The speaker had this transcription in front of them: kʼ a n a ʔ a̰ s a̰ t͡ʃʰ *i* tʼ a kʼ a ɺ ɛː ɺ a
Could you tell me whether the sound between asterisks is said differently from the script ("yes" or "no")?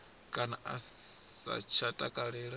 yes